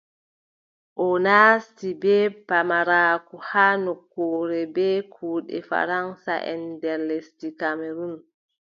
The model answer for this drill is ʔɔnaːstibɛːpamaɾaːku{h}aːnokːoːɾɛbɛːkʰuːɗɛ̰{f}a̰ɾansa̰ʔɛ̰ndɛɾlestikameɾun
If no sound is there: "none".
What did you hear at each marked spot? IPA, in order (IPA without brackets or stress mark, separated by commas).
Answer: h, f